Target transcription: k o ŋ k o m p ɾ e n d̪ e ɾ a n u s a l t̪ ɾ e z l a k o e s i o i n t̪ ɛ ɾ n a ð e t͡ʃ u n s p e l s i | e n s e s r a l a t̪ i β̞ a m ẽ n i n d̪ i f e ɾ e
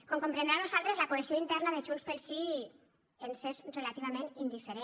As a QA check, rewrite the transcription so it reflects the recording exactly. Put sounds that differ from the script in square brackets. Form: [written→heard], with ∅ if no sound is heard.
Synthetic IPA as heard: k o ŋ k o m p ɾ e n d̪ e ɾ a n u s a l t̪ ɾ e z l a k o e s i o i n t̪ ɛ ɾ n a ð e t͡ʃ u n s p e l s i | e n s e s r [a→e] l a t̪ i β̞ a m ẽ n i n d̪ i f e ɾ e